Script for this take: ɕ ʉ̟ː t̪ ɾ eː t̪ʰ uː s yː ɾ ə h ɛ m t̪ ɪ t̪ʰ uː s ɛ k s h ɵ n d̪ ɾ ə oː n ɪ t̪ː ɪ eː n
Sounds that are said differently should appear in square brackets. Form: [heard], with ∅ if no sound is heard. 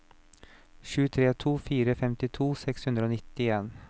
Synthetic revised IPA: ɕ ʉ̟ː [t̪ʰ] ɾ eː t̪ʰ uː [f] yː ɾ ə [f] ɛ m t̪ ɪ t̪ʰ uː s ɛ k s h ɵ n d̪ ɾ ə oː n ɪ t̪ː ɪ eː n